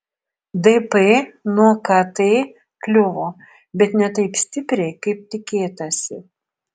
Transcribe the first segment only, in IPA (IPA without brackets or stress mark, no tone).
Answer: d̪